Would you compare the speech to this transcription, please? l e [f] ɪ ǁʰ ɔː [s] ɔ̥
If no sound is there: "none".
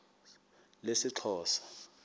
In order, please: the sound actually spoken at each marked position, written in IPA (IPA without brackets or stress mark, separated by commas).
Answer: s, s